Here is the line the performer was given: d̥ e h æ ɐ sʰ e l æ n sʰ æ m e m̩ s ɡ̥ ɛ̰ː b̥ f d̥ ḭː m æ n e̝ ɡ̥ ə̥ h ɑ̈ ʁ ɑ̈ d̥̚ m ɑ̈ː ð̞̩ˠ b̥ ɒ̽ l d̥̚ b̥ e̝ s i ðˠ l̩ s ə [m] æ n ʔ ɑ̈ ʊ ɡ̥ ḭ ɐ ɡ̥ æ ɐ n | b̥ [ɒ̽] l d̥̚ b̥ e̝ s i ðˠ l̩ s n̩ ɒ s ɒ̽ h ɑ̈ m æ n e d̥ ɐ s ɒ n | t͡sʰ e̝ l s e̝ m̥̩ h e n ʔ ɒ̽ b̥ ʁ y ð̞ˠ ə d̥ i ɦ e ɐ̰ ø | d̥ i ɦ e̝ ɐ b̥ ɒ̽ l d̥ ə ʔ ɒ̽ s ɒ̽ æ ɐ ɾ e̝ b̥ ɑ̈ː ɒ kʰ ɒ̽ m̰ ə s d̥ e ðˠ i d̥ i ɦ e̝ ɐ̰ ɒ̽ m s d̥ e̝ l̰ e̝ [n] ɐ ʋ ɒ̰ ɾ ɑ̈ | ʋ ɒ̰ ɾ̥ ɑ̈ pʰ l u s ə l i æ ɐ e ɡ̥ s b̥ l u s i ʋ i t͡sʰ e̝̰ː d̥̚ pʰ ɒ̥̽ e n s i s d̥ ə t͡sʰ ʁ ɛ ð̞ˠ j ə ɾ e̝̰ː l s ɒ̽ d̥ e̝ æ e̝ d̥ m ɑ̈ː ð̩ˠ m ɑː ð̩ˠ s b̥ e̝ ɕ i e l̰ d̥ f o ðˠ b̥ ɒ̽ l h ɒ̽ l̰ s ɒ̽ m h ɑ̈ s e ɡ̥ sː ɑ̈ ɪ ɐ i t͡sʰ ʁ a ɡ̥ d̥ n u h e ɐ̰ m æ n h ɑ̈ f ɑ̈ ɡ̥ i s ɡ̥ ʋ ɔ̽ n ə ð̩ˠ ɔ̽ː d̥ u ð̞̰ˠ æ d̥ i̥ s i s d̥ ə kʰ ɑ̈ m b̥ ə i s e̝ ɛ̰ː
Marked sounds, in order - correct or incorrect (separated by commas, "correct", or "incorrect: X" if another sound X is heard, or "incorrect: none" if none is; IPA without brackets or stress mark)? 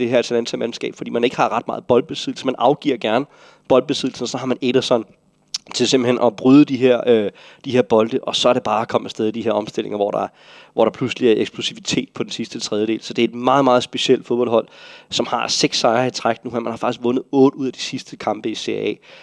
correct, correct, incorrect: ŋ